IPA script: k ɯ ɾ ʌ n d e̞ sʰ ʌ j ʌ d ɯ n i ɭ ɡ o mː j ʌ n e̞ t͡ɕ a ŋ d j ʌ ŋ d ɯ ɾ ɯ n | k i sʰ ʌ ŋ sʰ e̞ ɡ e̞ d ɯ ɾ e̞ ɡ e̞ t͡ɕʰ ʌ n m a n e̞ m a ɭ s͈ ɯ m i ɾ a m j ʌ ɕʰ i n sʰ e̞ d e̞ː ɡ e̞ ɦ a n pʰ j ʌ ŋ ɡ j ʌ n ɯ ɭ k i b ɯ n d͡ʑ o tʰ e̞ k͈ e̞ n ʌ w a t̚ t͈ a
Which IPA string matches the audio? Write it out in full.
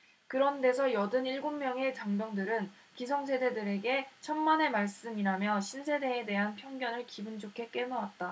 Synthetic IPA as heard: k ɯ ɾ ʌ n d e̞ sʰ ʌ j ʌ d ɯ n i ɭ ɡ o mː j ʌ ŋ e̞ t͡ɕ a ŋ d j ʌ ŋ d ɯ ɾ ɯ n | k i sʰ ʌ ŋ sʰ e̞ d e̞ d ɯ ɾ e̞ ɡ e̞ t͡ɕʰ ʌ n m a n e̞ m a ɭ s͈ ɯ m i ɾ a m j ʌ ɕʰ i n sʰ e̞ d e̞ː d e̞ ɦ a n pʰ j ʌ ŋ ɡ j ʌ n ɯ ɭ k i b ɯ n d͡ʑ o kʰ e̞ k͈ e̞ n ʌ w a t̚ t͈ a